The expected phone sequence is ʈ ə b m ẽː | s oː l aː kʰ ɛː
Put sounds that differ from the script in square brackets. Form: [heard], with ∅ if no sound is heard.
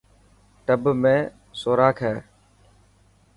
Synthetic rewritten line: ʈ ə b m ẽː | s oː [ɾ] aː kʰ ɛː